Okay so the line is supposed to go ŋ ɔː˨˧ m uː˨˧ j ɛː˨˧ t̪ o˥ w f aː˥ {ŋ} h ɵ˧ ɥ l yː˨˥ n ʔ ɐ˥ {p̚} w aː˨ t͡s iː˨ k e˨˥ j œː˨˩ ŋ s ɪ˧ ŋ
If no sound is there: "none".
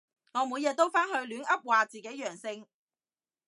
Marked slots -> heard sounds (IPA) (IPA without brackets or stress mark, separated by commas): n, p̚